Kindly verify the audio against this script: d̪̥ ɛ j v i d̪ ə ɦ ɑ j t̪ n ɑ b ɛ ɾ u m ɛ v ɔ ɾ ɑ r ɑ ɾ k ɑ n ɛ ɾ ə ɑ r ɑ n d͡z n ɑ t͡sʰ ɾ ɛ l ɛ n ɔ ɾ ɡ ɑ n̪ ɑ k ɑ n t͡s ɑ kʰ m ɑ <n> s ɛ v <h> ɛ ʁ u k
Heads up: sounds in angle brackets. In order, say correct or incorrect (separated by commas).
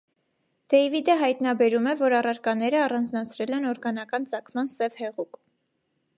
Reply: correct, correct